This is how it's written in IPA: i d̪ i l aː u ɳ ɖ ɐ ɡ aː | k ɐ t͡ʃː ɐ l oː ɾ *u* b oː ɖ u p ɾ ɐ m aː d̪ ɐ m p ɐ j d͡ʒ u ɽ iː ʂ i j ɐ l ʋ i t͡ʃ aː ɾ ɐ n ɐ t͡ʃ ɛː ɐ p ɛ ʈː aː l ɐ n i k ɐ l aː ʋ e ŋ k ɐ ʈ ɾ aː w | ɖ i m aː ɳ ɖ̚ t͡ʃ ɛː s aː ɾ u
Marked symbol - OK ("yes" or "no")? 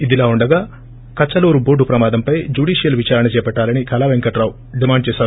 yes